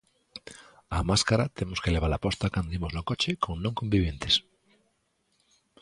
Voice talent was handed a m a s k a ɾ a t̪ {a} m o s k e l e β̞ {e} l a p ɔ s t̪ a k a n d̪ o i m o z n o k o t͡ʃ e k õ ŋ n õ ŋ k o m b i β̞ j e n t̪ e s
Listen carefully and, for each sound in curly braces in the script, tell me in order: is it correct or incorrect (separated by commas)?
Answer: incorrect, incorrect